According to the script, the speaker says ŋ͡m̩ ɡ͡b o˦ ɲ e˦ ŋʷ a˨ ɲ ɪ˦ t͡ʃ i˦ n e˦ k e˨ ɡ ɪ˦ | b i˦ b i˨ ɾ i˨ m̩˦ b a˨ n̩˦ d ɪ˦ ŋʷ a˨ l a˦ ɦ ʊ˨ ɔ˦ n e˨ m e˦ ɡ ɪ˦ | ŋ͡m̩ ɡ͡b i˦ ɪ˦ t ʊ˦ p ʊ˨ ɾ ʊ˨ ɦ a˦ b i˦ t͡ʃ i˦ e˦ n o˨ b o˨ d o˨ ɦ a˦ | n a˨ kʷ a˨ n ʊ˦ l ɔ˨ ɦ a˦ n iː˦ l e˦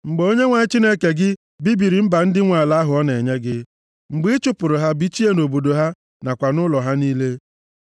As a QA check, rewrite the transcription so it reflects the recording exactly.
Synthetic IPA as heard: ŋ͡m̩ ɡ͡b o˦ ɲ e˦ ŋʷ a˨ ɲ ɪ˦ t͡ʃ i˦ n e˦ k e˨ ɡ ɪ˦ | b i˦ b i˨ ɾ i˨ m̩˦ b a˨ n̩˦ d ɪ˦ ŋʷ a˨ l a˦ ɦ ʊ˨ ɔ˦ n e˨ ɲ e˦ ɡ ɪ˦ | ŋ͡m̩ ɡ͡b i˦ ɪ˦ t͡ʃ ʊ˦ p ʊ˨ ɾ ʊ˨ ɦ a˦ b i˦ t͡ʃ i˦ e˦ n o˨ b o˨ d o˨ ɦ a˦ | n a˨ kʷ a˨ n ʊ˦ l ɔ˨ ɦ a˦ n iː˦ l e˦